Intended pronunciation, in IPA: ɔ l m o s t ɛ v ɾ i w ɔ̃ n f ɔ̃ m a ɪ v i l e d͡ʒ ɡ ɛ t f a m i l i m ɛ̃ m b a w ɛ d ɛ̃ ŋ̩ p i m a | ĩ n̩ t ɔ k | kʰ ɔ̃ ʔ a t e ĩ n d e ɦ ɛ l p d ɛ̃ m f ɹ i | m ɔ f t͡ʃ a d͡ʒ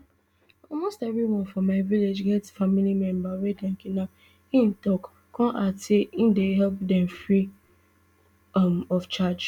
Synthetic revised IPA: ɔ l m o s t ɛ v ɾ i w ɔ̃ n f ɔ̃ m a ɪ v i l e d͡ʒ ɡ ɛ t f a m i l i m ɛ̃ m b a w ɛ d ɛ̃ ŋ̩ k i n a | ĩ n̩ t ɔ k | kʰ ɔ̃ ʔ a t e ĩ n d e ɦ ɛ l p d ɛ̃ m f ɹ i | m ɔ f t͡ʃ a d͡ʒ